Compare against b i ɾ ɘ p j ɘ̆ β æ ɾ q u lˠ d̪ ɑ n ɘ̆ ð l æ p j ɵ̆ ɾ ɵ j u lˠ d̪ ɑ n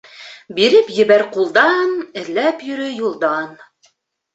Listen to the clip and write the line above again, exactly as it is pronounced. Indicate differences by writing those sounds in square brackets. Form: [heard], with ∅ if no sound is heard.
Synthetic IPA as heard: b i ɾ ɘ p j ɘ̆ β æ ɾ q u lˠ d̪ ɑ n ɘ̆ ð l æ p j ɵ̆ ɾ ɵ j u lˠ d̪ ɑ n